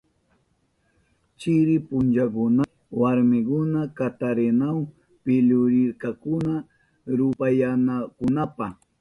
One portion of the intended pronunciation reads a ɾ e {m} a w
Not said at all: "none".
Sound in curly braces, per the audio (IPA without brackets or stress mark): n